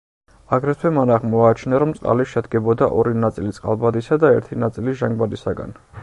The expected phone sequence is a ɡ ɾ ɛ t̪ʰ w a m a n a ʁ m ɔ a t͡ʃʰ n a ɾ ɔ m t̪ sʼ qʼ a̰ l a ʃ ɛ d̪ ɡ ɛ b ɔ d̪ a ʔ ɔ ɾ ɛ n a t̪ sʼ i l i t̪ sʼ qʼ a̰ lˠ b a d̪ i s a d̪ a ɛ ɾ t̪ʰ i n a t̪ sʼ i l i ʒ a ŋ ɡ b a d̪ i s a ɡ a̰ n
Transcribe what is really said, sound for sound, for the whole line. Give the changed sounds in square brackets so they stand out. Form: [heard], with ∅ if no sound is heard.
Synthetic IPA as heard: a ɡ ɾ ɛ t̪ʰ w [ɛ] m a n a ʁ m ɔ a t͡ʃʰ n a ɾ ɔ m t̪ sʼ qʼ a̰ l [i] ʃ ɛ d̪ ɡ ɛ b ɔ d̪ a ʔ ɔ ɾ [i] n a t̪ sʼ i l i t̪ sʼ qʼ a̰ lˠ b a d̪ i s a d̪ a ɛ ɾ t̪ʰ i n a t̪ sʼ i l i ʒ a ŋ ɡ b a d̪ i s a ɡ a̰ n